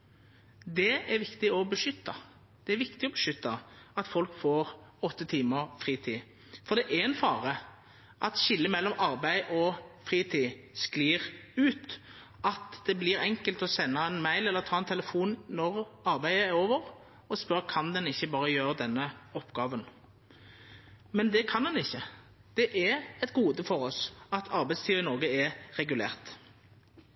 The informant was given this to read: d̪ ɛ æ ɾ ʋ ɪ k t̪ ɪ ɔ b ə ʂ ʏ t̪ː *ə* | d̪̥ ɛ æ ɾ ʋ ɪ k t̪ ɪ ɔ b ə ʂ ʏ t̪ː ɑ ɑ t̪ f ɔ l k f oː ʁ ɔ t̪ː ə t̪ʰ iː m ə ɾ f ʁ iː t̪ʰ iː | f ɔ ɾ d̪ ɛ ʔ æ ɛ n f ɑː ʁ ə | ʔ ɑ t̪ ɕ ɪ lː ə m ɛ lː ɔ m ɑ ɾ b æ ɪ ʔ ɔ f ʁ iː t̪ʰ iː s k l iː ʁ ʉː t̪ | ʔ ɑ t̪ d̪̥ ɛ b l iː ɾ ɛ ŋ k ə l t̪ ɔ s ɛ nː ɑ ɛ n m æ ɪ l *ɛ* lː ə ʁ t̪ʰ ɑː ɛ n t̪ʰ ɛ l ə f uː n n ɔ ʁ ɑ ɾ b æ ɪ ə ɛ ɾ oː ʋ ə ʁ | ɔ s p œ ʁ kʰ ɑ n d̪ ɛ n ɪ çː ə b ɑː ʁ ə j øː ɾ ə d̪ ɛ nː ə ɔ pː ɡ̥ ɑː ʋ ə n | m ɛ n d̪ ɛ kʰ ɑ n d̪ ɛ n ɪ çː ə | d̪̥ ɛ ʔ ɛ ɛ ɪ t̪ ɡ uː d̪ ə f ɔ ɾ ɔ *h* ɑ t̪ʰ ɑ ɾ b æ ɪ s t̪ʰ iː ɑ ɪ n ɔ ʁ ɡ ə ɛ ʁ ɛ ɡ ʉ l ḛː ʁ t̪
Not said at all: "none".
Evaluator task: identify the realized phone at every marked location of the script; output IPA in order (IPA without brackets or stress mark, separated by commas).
ɑ, ɛ, s